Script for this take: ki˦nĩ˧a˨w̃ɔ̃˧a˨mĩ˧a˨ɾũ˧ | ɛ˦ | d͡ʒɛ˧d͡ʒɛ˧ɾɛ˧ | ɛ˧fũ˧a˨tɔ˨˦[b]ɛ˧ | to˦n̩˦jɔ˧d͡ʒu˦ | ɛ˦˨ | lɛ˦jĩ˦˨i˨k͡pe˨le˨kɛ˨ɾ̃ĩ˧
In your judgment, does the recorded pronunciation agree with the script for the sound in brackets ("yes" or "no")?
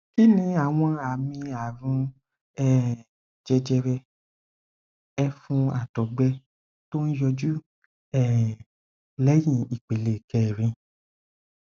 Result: no